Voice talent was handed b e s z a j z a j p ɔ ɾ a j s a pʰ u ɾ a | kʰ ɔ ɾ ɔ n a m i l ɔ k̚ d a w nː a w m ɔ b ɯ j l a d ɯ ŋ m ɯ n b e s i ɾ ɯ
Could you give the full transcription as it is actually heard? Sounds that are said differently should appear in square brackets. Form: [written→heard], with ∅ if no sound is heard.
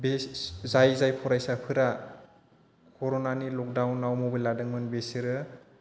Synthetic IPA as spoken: b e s z a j z a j [p→pʰ] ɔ ɾ a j s a pʰ [u→ɯ] ɾ a | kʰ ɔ ɾ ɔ n a [m→n] i l ɔ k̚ d a w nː a w m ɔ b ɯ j l a d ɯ ŋ m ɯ n b e s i ɾ ɯ